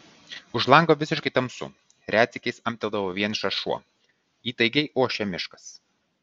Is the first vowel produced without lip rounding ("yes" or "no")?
no